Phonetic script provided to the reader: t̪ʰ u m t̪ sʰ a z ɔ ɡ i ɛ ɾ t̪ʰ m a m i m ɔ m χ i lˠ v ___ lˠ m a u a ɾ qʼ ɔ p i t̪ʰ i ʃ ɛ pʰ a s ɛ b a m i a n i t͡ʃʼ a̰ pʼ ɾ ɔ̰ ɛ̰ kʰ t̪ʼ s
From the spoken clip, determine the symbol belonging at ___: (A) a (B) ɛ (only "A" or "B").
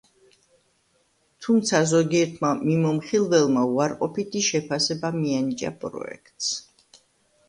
B